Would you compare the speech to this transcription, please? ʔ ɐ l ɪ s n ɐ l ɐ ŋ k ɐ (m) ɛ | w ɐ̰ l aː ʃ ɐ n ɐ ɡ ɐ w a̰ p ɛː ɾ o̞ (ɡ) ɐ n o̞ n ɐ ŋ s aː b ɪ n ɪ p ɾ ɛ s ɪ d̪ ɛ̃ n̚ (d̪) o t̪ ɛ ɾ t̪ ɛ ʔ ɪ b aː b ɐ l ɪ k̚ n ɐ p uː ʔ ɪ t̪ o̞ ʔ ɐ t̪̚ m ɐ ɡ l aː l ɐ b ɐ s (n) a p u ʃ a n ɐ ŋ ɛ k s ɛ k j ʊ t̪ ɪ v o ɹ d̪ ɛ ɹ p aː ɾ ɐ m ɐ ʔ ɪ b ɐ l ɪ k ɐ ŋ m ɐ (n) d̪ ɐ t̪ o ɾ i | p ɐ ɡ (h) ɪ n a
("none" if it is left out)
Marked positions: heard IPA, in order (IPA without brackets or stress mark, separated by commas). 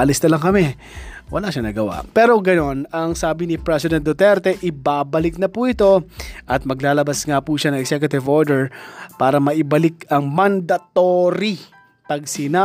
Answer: m, ɡ, d̪, ŋ, n, s